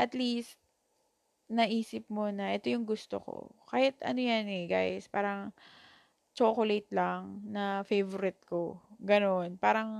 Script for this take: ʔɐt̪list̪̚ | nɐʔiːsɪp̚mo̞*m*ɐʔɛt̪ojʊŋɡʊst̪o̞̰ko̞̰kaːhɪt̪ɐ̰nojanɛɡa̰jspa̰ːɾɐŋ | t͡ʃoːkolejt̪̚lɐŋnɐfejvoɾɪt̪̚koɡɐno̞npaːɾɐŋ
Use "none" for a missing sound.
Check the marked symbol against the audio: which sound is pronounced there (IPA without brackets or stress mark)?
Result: n